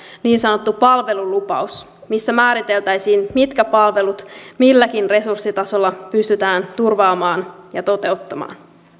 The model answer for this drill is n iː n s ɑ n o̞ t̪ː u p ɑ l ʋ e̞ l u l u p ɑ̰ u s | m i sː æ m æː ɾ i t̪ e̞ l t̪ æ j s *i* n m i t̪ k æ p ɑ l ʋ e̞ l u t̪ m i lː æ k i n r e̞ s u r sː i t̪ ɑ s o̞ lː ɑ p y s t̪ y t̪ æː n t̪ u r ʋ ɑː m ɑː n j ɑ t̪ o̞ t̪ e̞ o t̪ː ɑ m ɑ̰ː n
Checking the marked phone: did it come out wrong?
yes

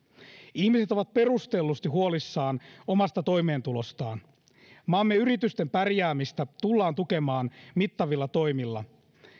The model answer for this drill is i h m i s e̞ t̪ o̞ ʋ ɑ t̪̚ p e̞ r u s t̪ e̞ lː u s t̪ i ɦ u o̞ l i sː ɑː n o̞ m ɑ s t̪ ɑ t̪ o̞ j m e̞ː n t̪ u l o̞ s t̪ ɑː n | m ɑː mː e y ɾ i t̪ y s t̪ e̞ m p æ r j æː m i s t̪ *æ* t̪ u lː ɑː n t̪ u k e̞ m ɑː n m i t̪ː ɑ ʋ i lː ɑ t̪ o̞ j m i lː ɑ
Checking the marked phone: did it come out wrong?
no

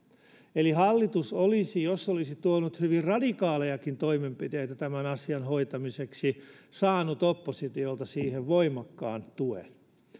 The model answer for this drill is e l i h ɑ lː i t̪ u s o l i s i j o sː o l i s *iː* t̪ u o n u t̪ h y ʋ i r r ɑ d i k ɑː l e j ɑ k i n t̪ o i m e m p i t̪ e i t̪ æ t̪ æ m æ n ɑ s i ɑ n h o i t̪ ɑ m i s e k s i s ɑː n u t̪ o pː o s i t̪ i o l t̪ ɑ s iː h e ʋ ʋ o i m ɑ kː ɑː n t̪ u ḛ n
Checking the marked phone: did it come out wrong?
yes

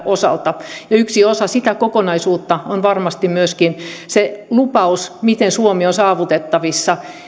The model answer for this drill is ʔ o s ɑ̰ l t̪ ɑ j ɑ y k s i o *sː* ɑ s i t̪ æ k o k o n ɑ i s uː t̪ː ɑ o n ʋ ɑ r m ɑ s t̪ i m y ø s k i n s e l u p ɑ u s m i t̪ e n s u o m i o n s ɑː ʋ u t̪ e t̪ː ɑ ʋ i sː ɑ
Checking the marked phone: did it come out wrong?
yes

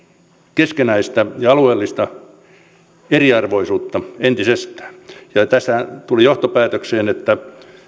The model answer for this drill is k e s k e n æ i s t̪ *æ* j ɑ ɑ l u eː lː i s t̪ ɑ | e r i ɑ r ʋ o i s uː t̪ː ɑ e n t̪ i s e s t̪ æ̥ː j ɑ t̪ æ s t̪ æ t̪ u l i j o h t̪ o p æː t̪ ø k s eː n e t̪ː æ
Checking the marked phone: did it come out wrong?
no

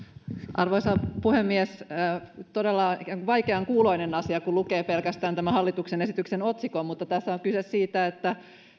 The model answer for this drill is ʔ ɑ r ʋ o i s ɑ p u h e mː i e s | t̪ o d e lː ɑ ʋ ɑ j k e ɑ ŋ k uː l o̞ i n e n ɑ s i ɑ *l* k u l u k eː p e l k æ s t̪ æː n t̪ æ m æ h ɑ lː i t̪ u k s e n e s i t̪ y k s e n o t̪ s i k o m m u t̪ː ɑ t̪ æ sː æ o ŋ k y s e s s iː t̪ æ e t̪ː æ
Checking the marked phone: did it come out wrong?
yes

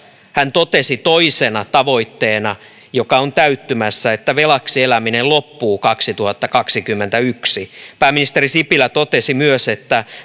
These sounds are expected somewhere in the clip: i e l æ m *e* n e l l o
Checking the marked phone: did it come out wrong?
yes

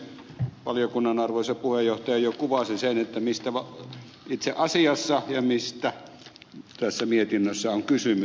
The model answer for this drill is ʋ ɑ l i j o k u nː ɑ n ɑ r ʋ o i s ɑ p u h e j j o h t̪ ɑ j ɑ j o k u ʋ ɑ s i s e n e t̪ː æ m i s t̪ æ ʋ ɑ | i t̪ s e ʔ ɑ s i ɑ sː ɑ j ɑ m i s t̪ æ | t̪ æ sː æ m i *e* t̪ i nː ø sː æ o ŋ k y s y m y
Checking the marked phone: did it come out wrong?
no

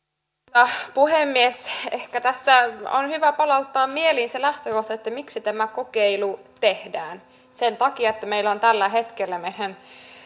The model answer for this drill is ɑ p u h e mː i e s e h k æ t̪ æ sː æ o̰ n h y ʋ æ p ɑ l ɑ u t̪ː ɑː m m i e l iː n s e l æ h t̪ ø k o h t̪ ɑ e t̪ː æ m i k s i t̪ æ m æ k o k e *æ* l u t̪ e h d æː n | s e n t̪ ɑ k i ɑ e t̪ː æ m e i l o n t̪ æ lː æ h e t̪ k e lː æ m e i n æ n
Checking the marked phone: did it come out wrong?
yes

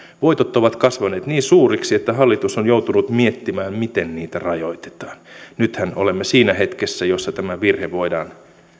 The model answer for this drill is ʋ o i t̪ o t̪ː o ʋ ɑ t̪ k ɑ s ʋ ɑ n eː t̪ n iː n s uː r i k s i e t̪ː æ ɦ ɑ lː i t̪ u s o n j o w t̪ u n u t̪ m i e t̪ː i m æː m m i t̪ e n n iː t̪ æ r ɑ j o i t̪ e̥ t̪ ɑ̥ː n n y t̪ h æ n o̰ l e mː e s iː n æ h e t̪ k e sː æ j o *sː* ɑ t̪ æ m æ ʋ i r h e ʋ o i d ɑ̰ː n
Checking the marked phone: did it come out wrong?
no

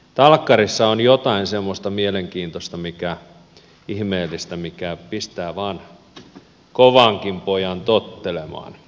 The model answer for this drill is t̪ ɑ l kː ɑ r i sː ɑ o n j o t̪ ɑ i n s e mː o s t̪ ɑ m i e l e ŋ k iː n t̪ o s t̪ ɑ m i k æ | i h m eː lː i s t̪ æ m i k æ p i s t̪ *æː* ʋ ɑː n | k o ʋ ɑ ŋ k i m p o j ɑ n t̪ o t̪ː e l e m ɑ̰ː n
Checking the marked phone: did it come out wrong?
no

